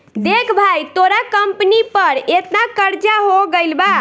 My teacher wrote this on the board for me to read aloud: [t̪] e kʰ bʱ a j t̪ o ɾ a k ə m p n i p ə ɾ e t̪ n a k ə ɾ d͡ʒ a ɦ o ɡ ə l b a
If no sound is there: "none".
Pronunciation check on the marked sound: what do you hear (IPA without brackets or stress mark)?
d̪